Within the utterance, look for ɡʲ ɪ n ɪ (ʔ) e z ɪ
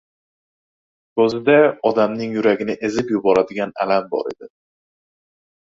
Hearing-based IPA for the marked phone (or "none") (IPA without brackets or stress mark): ʔ